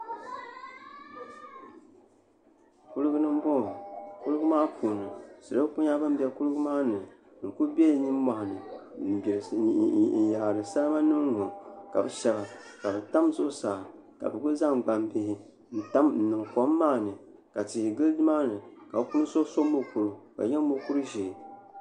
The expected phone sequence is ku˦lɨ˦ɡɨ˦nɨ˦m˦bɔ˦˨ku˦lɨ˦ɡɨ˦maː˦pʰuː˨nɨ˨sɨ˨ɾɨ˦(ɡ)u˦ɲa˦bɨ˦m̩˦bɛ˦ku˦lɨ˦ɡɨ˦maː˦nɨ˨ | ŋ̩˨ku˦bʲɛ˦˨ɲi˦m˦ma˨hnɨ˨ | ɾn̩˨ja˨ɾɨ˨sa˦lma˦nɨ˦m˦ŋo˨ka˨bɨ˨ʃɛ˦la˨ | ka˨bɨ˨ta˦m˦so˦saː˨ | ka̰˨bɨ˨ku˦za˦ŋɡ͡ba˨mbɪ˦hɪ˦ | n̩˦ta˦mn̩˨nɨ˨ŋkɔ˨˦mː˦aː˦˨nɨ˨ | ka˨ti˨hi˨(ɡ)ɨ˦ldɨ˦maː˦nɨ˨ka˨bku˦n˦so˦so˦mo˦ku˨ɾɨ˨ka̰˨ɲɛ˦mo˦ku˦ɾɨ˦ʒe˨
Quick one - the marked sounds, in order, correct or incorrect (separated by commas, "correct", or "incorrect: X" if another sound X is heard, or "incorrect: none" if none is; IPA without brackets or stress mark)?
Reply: incorrect: k, correct